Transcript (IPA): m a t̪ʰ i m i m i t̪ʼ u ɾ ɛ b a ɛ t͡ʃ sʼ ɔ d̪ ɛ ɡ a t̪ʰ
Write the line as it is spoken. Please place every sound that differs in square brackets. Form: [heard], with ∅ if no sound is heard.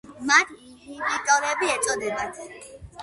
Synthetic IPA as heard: m a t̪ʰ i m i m i t̪ʼ [ɔ] ɾ ɛ b [i] ɛ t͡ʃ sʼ ɔ d̪ ɛ [b] a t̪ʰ